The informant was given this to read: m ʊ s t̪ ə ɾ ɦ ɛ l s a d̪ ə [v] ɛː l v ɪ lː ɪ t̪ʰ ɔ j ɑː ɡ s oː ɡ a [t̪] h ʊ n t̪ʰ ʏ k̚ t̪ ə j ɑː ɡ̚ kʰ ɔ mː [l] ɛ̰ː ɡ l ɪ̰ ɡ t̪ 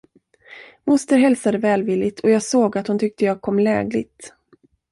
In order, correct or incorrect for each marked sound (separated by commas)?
correct, correct, correct